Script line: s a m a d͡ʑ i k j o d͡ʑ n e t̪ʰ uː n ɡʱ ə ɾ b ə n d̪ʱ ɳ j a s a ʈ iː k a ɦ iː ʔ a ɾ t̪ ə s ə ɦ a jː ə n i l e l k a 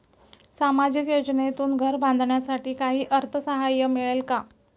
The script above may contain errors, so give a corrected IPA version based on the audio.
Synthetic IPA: s a m a d͡ʑ i k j o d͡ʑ n e t̪ uː n ɡʱ ə ɾ b a n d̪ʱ ɳ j a s a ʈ iː k a ɦ iː ʔ ə ɾ t̪ʰ ə s ə ɦ a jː ə m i ɭ e l k a